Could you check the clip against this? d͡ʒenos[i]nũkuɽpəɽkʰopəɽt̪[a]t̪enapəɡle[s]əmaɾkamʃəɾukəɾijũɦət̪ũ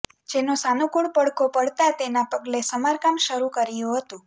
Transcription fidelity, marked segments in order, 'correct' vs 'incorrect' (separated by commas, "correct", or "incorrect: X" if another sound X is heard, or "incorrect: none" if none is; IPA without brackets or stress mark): incorrect: a, correct, correct